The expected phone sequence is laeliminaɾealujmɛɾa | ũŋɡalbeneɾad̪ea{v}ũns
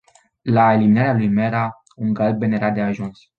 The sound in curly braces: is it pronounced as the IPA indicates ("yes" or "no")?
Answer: no